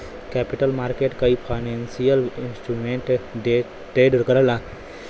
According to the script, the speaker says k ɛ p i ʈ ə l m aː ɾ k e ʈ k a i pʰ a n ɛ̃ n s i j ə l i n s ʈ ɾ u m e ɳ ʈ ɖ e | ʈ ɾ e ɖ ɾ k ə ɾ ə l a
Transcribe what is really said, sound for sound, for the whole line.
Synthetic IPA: k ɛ p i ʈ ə l m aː ɾ k e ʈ k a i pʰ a n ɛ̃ n s i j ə l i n s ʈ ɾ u m e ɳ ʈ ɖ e | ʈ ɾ e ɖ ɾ k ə ɾ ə l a